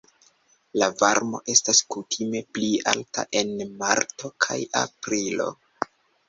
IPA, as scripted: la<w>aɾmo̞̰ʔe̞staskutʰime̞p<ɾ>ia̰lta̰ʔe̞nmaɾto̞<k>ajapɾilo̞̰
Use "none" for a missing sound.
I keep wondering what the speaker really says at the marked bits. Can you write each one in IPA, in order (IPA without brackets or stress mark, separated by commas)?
v, l, kʰ